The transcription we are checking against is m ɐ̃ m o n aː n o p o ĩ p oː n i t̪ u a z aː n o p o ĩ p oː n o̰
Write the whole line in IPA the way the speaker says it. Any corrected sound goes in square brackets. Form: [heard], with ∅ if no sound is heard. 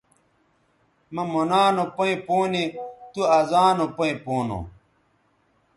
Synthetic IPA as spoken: m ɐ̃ m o n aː n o p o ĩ p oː n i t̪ u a z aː n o p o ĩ p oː n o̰